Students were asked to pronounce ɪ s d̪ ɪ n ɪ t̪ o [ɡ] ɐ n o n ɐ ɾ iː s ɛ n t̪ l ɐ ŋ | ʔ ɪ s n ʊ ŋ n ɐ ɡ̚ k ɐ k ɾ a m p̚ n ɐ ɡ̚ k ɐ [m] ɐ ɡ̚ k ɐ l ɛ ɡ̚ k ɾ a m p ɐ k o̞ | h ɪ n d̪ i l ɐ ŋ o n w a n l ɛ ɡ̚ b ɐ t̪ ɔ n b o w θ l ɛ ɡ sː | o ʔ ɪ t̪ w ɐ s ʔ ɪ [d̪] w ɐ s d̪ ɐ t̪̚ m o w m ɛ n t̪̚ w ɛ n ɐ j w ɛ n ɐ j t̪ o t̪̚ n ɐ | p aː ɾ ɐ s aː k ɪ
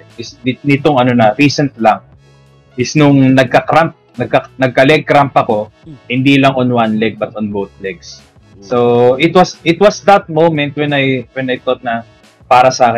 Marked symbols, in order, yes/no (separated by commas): no, no, no